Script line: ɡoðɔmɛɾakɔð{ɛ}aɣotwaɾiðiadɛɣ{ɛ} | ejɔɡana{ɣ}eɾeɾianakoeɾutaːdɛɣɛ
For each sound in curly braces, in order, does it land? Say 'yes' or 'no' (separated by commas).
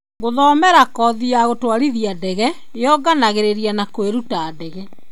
no, yes, yes